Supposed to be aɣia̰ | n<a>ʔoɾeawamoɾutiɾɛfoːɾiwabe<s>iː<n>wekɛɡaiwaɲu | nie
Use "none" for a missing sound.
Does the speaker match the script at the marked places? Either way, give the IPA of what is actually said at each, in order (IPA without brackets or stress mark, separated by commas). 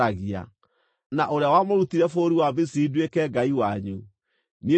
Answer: a, s, d